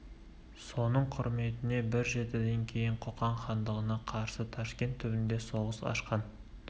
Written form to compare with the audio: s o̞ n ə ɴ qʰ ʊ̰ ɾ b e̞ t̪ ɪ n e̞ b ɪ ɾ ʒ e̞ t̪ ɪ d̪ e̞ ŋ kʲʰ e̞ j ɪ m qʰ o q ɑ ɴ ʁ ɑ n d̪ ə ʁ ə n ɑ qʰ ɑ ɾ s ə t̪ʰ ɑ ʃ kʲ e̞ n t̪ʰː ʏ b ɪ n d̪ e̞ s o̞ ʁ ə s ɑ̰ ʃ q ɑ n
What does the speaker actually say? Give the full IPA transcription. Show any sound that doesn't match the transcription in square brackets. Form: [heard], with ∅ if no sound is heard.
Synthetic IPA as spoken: s o̞ n ə ɴ qʰ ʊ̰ ɾ [m] e̞ t̪ ɪ n e̞ b ɪ ɾ ʒ e̞ t̪ ɪ d̪ e̞ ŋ kʲʰ e̞ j ɪ [ɴ] qʰ o q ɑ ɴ [χ] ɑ n d̪ ə ʁ ə n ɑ qʰ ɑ ɾ s ə t̪ʰ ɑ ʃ kʲ e̞ n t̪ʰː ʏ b ɪ n d̪ e̞ s o̞ ʁ ə s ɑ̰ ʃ q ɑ n